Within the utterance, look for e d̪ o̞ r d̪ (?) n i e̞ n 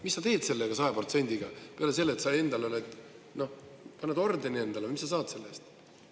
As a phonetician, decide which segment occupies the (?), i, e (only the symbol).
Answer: e